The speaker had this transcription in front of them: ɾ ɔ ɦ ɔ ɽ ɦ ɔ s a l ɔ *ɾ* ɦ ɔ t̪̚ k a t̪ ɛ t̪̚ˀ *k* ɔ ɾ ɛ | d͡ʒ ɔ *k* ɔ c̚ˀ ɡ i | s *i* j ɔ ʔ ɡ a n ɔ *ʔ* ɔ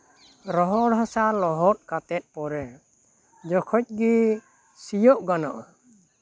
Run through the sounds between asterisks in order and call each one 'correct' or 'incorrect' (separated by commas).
incorrect, incorrect, incorrect, correct, correct